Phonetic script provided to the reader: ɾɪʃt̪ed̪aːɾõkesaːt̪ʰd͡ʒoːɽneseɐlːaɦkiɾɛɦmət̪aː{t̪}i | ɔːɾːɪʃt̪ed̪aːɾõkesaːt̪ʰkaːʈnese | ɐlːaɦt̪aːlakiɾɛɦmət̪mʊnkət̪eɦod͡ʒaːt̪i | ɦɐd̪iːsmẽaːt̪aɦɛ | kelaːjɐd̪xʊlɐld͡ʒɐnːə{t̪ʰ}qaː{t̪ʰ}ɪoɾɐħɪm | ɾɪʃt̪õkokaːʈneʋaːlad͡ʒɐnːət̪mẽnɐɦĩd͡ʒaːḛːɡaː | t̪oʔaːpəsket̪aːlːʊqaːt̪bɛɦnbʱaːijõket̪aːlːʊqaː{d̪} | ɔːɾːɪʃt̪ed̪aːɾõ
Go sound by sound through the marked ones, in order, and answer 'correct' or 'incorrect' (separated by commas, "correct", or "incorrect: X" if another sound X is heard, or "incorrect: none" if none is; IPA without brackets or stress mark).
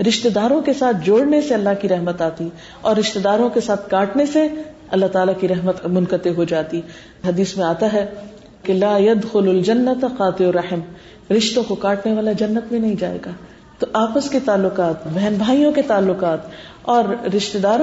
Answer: correct, incorrect: t̪, incorrect: t̪, incorrect: t̪